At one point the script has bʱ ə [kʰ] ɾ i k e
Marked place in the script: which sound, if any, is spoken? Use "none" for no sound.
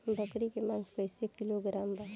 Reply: k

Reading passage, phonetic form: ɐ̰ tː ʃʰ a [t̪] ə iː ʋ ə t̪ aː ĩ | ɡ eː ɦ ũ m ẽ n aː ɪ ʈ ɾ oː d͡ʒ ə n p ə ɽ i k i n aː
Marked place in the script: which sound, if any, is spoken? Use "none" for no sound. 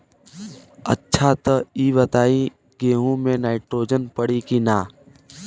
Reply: t̪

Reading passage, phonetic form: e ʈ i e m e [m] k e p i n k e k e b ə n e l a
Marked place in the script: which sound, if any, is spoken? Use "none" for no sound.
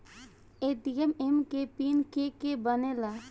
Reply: m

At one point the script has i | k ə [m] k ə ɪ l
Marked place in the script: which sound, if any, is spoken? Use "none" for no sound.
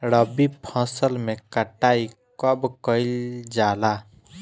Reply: b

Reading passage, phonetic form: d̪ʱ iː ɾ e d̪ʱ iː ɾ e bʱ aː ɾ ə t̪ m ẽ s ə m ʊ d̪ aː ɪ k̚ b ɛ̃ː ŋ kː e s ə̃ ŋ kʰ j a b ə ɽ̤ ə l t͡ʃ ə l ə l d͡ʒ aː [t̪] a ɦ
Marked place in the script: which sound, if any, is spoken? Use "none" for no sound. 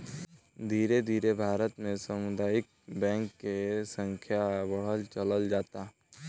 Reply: t̪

